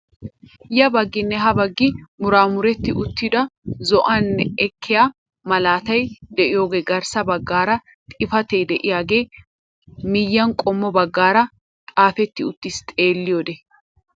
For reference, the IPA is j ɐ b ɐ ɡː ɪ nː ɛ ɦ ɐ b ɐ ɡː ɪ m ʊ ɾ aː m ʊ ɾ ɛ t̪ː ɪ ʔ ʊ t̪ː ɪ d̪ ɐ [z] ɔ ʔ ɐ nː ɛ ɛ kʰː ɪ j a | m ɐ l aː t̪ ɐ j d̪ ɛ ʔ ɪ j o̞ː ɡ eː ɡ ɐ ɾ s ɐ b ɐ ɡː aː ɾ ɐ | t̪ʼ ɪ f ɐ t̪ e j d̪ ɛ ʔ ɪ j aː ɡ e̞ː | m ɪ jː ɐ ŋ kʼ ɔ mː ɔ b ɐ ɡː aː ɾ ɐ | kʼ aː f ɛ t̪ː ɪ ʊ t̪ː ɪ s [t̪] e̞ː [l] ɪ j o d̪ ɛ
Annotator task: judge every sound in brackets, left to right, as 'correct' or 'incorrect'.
correct, incorrect, incorrect

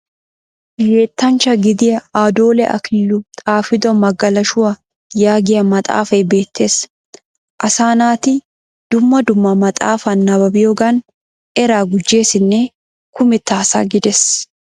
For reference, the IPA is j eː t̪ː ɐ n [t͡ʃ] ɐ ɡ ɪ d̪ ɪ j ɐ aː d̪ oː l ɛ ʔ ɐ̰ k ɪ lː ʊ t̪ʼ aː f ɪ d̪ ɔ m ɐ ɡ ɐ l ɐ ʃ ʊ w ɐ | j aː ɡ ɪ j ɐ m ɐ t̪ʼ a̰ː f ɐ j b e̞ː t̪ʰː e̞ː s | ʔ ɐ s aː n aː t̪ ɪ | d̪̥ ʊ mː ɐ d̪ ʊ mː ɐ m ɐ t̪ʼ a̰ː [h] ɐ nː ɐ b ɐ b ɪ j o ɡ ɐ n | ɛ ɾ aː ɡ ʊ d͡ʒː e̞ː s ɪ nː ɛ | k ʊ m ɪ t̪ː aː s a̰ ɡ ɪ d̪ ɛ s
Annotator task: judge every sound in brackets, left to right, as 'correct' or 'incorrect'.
correct, incorrect

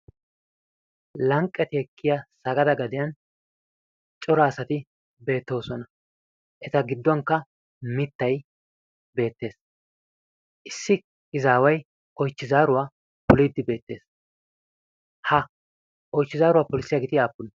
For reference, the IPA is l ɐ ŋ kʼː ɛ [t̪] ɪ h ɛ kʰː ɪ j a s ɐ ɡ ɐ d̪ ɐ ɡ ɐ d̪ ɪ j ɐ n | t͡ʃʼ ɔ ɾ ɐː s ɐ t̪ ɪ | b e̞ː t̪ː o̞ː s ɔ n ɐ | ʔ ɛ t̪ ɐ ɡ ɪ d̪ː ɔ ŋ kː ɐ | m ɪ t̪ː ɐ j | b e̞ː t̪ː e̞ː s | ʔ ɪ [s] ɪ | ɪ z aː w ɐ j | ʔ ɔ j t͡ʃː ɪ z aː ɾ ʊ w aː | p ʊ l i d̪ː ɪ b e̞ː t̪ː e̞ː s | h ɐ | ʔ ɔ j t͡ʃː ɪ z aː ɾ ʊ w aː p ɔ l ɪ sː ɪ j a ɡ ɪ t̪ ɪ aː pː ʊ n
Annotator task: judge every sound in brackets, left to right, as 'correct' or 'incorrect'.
correct, incorrect

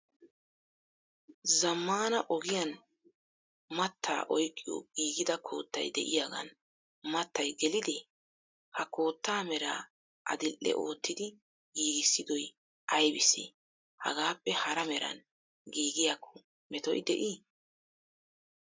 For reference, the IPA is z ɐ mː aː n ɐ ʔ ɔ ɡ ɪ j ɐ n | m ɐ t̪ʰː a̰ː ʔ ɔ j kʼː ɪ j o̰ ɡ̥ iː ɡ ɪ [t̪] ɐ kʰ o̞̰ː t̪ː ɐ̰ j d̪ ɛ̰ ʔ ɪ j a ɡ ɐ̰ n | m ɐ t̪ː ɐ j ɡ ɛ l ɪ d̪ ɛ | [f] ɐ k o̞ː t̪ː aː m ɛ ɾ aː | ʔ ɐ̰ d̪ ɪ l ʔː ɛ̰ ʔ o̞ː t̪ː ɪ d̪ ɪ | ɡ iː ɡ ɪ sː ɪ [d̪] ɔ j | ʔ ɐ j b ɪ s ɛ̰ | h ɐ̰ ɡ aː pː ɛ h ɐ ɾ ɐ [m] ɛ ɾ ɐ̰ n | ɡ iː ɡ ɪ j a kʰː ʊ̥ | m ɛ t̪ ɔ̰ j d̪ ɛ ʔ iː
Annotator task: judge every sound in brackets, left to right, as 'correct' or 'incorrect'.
incorrect, incorrect, correct, correct

